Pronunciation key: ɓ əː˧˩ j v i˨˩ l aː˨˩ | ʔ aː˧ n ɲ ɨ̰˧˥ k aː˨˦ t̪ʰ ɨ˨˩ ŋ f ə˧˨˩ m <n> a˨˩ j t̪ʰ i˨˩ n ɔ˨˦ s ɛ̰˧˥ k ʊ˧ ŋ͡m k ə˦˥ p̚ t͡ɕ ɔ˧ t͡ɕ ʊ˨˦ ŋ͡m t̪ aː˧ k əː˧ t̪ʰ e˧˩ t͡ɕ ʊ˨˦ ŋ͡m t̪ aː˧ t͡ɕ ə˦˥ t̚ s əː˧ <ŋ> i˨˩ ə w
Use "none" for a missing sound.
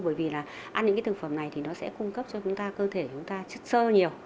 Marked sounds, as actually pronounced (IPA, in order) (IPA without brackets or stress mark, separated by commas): n, ɲ